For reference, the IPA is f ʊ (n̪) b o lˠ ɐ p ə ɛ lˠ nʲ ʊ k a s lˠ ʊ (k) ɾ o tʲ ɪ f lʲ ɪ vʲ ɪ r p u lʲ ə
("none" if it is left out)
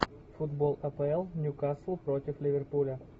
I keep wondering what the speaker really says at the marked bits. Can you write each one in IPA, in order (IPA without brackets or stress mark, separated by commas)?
d̪, p